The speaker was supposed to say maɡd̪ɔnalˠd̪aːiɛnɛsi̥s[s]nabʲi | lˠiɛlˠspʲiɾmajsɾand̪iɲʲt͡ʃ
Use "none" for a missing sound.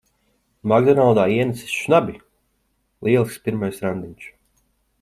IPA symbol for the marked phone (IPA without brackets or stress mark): ʃ